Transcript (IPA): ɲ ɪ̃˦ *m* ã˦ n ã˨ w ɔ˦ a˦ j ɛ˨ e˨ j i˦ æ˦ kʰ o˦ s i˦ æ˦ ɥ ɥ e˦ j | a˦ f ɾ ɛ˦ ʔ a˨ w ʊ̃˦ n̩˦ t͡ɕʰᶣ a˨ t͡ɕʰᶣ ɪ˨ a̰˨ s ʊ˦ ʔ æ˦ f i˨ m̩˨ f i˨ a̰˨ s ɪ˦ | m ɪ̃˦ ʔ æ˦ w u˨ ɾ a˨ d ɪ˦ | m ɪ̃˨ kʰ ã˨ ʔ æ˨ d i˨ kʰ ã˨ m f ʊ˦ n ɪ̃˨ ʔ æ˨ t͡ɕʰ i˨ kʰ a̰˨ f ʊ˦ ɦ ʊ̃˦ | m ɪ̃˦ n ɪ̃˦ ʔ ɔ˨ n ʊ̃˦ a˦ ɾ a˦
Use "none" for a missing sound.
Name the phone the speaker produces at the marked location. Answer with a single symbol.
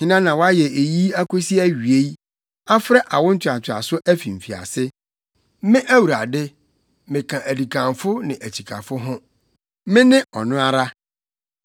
n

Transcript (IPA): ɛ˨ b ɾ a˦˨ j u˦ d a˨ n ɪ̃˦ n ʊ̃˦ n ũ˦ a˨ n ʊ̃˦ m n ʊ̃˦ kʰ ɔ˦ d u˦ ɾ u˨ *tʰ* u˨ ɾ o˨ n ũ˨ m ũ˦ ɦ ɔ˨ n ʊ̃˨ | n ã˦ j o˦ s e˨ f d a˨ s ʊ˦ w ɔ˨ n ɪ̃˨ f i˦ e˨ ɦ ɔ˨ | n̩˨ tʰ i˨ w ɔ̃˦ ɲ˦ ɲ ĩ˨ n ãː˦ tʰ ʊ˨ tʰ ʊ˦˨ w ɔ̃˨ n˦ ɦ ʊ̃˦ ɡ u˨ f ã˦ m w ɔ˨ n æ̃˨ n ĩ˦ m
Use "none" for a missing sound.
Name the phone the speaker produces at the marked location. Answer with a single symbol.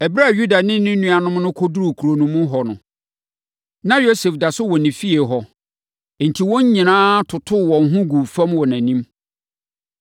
kʰ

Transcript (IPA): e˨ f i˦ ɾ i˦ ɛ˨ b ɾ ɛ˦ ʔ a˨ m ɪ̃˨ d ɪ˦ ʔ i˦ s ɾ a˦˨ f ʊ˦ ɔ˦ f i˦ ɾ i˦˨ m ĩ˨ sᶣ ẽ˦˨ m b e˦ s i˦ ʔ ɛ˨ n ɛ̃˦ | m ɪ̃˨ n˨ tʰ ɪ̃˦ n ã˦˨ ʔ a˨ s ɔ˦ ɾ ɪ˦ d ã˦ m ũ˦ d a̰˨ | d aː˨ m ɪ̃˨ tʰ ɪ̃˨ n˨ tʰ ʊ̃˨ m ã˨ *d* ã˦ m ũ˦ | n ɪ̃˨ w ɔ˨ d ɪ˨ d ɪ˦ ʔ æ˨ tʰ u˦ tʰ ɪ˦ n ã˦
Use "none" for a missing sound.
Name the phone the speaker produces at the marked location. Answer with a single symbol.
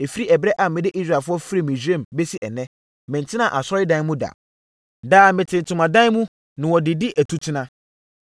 d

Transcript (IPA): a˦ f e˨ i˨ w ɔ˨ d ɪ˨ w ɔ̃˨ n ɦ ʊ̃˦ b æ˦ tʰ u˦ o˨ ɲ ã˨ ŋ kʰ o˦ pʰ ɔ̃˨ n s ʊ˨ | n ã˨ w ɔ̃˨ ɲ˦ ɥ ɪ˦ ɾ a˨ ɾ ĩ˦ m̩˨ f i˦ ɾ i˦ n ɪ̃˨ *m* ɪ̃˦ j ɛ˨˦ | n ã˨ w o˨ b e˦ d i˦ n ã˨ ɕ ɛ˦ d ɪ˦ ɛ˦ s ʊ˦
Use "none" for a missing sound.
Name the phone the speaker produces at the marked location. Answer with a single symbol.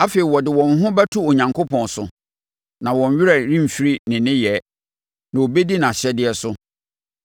n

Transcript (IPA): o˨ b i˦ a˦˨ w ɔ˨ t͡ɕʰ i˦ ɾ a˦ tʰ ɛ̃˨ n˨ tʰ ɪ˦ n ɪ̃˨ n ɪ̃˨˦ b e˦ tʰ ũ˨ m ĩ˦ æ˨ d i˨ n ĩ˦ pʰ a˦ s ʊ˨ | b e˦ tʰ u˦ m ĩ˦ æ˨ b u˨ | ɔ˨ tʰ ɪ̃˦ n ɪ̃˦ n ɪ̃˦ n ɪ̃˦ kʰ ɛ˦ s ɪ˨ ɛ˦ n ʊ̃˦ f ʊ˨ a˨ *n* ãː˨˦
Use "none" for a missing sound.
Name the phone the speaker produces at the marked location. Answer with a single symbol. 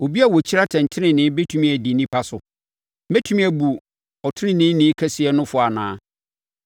n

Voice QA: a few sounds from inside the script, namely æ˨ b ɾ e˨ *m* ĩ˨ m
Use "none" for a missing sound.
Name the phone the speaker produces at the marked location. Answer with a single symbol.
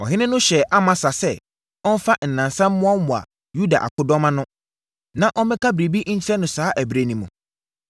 n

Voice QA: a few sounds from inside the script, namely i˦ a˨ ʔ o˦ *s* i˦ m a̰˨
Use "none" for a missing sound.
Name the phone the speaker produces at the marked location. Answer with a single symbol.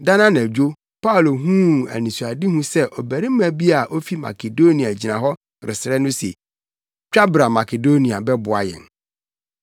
f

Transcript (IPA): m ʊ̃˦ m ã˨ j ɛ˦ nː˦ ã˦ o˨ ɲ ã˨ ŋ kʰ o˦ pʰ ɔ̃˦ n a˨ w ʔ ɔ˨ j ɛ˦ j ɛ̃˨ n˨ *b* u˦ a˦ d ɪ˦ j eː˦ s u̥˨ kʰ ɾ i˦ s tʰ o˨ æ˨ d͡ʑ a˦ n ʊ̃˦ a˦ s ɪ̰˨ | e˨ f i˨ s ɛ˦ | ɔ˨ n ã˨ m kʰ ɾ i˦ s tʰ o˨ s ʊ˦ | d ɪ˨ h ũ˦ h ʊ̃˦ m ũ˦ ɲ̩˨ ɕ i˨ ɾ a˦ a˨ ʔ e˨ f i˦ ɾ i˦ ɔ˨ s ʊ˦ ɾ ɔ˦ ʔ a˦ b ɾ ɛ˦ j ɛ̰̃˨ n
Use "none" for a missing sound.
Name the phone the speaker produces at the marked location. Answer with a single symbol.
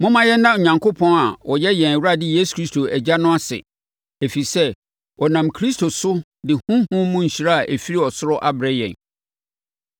w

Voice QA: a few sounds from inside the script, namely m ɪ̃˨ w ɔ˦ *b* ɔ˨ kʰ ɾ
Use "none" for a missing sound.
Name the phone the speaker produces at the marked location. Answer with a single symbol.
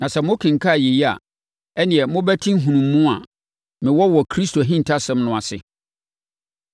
w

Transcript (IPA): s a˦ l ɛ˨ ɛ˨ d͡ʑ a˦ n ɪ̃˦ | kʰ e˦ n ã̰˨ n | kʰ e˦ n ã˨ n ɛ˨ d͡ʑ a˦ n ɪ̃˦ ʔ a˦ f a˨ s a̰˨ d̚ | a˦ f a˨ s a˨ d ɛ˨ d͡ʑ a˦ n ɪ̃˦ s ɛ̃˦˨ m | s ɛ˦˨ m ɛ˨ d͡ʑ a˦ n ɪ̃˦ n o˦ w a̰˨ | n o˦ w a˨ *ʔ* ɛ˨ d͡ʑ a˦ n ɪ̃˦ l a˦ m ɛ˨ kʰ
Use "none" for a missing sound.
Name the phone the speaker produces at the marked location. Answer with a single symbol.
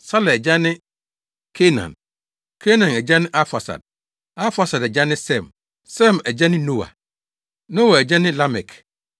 none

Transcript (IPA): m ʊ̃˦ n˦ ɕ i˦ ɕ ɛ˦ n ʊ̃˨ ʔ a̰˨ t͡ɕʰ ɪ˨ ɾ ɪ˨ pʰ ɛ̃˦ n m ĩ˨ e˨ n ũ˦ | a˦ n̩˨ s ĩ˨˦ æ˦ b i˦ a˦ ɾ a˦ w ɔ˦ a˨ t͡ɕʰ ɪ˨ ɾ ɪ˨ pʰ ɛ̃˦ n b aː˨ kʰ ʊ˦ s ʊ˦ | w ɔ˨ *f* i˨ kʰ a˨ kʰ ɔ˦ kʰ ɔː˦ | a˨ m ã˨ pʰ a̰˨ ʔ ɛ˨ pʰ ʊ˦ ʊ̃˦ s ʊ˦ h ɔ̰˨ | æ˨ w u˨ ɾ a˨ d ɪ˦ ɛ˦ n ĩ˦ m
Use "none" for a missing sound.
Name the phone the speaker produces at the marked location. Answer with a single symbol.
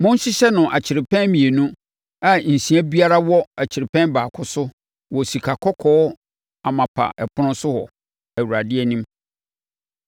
s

